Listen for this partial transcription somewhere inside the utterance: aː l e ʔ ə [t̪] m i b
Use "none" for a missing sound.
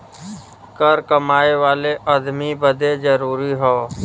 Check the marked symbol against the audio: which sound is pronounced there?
d̪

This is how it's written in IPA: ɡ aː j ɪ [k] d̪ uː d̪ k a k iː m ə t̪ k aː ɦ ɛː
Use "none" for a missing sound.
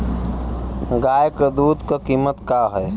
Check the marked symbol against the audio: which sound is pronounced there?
k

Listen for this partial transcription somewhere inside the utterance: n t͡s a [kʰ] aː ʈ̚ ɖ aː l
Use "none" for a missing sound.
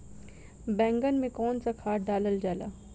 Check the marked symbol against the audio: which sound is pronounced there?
kʰ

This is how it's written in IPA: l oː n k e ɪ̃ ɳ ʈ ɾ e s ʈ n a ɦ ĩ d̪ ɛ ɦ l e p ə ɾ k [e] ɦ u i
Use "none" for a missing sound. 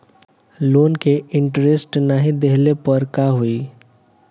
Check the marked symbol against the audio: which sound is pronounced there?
a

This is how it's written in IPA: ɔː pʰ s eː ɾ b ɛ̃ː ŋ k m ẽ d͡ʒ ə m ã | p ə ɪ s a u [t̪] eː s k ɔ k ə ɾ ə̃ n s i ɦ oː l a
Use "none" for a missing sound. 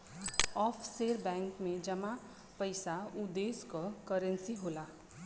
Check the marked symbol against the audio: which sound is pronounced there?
d̪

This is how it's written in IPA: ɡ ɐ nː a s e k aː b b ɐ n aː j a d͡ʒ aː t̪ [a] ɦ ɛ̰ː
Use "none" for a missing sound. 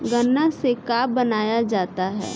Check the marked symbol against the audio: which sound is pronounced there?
a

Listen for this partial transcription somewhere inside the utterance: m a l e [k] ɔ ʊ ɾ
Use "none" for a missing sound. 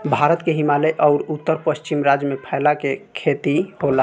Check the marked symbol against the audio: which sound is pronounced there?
ʔ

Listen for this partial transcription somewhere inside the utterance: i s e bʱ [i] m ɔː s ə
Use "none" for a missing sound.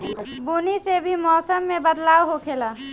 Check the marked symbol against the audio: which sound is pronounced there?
i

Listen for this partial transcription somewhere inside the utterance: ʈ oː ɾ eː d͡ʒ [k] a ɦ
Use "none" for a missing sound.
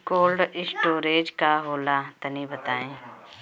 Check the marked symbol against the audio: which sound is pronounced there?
k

